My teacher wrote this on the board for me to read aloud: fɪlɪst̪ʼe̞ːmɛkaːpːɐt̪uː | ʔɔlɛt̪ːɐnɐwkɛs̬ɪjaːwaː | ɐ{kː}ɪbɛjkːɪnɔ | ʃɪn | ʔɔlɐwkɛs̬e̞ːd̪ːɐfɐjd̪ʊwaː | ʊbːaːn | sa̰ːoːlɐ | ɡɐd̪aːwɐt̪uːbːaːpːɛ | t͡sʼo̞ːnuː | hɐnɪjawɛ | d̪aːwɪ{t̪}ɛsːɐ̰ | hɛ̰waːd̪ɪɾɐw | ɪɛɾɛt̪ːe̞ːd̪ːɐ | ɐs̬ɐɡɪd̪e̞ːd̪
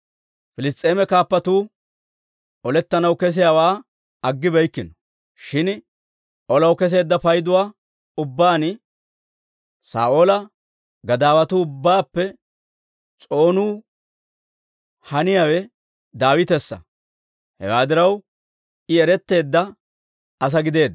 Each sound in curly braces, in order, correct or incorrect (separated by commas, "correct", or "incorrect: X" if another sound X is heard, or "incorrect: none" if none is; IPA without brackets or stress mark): incorrect: ɡː, correct